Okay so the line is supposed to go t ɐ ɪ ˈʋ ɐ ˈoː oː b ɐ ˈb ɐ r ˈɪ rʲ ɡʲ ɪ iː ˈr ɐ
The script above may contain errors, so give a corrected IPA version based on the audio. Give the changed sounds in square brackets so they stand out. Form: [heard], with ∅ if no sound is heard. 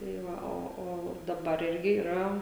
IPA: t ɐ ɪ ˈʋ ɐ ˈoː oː [d] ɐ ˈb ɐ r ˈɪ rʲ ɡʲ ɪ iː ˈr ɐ